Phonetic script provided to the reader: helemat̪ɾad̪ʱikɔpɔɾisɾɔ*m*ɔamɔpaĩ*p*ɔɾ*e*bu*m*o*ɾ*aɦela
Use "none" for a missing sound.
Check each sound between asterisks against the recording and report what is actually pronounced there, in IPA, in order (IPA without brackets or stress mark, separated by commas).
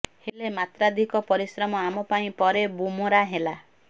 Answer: m, p, e, m, ɾ